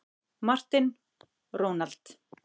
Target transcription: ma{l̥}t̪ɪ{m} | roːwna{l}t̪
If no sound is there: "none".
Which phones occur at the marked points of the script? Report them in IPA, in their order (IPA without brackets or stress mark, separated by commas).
r̥, n, l